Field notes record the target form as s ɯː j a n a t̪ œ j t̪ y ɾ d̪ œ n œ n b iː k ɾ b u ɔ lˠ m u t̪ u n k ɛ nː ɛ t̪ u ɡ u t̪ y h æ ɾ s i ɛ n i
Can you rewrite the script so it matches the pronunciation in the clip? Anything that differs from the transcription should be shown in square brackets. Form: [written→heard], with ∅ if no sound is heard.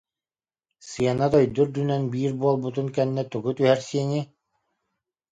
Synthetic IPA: s [ɯː→ɯ] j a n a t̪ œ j [t̪→d̪] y ɾ d̪ [œ→y] n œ n b iː [k→∅] ɾ b u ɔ lˠ [m→b] u t̪ u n k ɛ nː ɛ t̪ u ɡ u t̪ y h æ ɾ s i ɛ n i